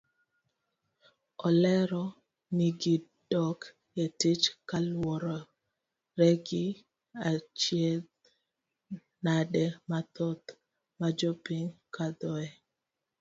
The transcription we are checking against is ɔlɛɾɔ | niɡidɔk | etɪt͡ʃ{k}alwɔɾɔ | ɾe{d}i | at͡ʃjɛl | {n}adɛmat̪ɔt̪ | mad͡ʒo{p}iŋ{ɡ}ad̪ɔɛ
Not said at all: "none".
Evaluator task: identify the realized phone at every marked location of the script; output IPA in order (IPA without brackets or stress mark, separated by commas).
k, ɡ, n, p, k